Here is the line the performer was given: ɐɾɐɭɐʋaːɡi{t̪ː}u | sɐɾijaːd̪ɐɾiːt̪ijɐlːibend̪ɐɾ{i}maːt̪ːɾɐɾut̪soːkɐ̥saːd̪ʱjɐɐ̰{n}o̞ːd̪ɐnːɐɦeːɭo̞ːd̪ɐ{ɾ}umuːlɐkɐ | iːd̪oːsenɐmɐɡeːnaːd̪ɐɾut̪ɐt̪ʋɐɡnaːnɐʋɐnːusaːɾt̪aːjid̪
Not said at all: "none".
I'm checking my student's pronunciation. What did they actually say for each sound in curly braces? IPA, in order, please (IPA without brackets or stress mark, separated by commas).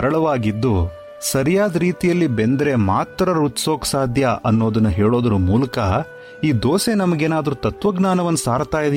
d̪ː, e, nː, ɾ